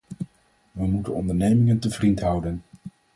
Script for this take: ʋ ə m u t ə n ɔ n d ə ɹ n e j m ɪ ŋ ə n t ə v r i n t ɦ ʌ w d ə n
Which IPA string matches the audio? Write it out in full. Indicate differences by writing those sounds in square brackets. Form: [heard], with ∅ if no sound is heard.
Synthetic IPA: ʋ ə m u t ə n ɔ n d ə ɹ n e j m ɪ ŋ ə n t ə v r i n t ɦ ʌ w d ə n